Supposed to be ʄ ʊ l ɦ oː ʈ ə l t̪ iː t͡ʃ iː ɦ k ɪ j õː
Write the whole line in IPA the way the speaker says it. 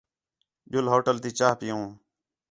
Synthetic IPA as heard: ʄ ʊ l ɦ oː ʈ ə l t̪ iː t͡ʃ aː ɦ p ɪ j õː